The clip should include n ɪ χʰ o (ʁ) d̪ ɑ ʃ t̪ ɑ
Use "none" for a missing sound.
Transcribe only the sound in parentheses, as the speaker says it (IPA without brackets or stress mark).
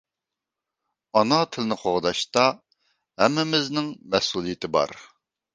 ʁ